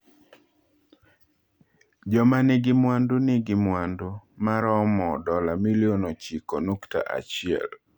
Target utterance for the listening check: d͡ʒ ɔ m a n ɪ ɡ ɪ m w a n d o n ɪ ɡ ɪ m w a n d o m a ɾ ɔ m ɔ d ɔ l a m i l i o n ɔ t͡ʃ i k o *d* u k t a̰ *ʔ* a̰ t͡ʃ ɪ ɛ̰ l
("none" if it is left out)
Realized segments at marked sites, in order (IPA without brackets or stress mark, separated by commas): n, ʔ